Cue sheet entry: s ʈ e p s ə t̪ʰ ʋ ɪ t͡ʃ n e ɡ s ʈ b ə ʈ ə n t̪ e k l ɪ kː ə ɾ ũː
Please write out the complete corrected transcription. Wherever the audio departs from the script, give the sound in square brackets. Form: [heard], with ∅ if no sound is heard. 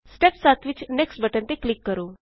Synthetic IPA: s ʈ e p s [a] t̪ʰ ʋ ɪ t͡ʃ n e [k] s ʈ b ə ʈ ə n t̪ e k l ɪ kː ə ɾ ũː

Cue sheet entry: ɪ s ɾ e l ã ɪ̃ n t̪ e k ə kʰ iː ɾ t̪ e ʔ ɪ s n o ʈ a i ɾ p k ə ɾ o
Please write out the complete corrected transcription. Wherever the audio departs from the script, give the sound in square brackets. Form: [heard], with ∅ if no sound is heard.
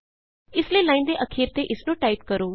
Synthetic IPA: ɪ s [l] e l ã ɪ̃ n [d̪] e [ʔ] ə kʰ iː ɾ t̪ e ʔ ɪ s n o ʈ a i [∅] p k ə ɾ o

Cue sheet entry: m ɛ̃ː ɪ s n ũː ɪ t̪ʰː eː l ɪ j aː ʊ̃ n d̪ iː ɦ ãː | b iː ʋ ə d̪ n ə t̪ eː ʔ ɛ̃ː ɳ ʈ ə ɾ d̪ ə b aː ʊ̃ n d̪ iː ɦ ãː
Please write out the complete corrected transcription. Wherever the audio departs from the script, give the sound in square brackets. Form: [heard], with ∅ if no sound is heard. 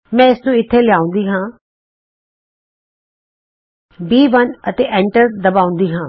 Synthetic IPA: m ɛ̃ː ɪ s n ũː ɪ t̪ʰː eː l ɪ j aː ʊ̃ n d̪ iː ɦ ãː | b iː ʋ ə [∅] n ə t̪ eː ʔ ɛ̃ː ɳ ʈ ə ɾ d̪ ə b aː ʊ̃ n d̪ iː ɦ ãː

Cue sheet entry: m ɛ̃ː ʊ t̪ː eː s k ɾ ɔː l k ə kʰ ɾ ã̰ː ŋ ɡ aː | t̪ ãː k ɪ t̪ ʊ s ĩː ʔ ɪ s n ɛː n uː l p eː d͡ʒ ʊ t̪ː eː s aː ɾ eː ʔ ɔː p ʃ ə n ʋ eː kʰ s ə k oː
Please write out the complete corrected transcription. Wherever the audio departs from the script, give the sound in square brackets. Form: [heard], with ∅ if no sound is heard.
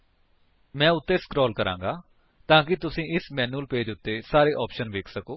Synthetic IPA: m ɛ̃ː ʊ t̪ː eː s k ɾ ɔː l k ə [∅] ɾ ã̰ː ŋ ɡ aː | t̪ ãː k ɪ t̪ ʊ s ĩː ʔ ɪ s [m] ɛː n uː l p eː d͡ʒ ʊ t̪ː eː s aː ɾ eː ʔ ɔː p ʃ ə n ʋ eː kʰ s ə k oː

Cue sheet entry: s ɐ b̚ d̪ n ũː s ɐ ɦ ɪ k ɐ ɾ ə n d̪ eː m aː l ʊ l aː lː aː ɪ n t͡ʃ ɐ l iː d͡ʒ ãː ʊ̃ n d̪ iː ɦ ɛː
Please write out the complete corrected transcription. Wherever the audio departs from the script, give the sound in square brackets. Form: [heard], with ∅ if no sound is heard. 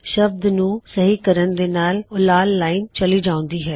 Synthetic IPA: [ʃ] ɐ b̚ d̪ n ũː s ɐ ɦ [i] k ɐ ɾ ə n d̪ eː [n] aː l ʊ l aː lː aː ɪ n t͡ʃ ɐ l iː d͡ʒ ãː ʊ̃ n d̪ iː ɦ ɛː

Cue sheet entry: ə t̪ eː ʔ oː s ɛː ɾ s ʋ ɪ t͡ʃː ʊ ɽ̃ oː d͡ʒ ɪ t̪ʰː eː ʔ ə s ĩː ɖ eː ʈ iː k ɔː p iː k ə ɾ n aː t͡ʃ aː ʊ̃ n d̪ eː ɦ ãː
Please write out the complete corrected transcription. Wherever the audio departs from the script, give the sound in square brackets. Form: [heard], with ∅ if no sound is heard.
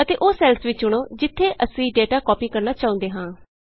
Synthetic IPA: ə t̪ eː ʔ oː s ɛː [l] s ʋ ɪ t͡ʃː ʊ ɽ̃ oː d͡ʒ ɪ t̪ʰː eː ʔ ə s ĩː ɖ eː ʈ [aː] k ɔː p iː k ə ɾ n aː t͡ʃ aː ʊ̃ n d̪ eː ɦ ãː

